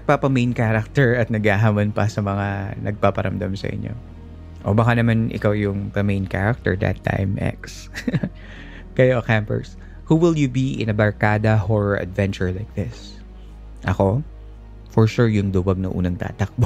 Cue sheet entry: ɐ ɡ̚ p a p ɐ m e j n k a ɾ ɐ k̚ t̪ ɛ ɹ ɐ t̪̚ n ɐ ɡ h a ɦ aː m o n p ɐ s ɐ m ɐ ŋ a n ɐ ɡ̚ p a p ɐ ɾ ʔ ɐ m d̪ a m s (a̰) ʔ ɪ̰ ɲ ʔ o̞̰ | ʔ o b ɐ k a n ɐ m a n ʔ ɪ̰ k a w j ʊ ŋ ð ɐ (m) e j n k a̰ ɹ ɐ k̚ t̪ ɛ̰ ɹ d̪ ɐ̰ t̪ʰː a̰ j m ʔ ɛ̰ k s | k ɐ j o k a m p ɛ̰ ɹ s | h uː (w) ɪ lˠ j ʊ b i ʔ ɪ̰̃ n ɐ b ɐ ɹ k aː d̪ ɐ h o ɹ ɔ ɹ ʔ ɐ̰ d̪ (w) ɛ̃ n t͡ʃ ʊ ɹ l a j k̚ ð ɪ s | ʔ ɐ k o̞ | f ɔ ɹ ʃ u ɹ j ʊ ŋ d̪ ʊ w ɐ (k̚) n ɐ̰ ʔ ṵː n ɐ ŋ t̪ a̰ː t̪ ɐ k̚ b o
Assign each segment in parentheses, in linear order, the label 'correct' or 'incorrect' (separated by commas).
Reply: incorrect, correct, correct, incorrect, incorrect